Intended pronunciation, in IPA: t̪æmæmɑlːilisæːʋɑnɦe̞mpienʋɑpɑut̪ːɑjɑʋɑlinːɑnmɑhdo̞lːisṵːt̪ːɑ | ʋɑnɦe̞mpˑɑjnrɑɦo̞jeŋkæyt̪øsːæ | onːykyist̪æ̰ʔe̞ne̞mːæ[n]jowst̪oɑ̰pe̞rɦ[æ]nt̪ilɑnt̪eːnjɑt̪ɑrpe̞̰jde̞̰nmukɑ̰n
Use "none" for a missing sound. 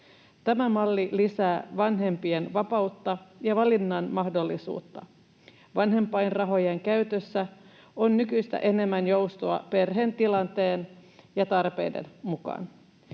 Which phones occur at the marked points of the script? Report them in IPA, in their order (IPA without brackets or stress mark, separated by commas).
n, e